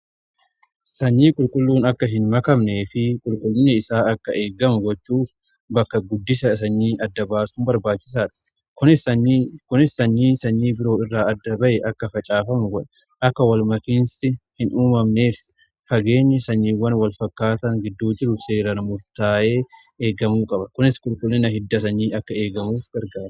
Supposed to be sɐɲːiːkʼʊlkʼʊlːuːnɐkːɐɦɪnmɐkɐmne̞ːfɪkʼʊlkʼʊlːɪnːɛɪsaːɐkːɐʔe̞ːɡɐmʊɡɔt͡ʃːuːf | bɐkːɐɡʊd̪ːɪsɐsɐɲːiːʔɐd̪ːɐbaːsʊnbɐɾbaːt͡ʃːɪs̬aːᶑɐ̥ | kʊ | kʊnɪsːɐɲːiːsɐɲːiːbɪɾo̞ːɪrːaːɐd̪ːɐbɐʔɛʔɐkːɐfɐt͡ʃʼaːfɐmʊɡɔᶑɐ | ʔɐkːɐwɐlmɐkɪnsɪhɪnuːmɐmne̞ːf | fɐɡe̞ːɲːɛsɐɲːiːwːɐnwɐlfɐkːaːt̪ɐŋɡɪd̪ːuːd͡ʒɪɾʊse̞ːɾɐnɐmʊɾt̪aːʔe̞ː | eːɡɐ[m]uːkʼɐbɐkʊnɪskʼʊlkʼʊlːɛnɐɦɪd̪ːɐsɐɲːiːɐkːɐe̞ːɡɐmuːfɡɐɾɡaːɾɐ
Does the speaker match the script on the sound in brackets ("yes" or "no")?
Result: yes